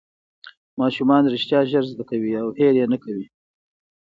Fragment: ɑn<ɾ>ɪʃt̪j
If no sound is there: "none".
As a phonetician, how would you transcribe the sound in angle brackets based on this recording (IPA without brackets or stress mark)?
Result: ɾ